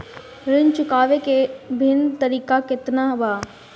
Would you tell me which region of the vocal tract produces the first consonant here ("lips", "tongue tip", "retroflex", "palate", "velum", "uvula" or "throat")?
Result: tongue tip